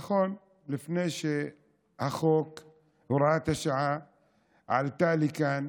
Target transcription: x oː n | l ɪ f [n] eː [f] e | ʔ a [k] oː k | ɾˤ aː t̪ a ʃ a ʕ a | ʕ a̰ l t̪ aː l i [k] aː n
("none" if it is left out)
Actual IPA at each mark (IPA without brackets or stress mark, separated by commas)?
n, ʃ, x, k